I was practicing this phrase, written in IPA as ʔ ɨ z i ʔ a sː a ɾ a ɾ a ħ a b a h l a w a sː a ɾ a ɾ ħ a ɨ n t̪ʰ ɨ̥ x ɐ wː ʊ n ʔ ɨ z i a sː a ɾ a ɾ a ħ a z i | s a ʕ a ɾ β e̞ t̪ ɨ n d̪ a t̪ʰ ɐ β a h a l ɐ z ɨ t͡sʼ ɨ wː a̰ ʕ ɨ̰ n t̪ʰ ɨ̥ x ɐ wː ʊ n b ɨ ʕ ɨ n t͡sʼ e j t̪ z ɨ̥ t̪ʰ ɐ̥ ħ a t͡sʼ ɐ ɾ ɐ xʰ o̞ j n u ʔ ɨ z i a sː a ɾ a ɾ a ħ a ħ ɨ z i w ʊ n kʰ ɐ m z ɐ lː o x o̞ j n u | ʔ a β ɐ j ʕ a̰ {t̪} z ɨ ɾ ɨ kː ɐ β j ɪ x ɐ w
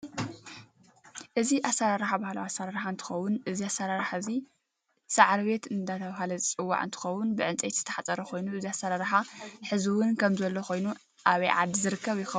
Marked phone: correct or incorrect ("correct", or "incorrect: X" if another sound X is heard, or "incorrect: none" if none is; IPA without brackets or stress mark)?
incorrect: d̪